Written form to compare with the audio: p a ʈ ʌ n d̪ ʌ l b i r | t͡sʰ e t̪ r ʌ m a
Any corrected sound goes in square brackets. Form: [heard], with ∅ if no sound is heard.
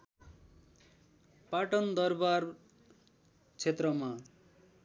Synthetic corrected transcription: p a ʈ ʌ n d̪ ʌ [r] b [a] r | t͡sʰ e t̪ r ʌ m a